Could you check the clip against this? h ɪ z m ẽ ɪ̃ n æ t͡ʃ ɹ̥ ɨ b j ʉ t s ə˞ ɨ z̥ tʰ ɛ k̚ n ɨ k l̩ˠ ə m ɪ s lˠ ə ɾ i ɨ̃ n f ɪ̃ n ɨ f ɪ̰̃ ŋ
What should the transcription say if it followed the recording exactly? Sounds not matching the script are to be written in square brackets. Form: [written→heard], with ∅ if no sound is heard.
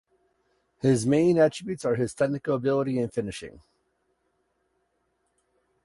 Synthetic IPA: h ɪ z m ẽ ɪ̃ n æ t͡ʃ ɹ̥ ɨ b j ʉ t s ə˞ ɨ z̥ tʰ ɛ k̚ n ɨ k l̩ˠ ə [m→b] ɪ [s→∅] lˠ ə ɾ i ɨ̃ n f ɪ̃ n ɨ [f→ʃ] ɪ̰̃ ŋ